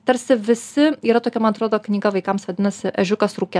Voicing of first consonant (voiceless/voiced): voiceless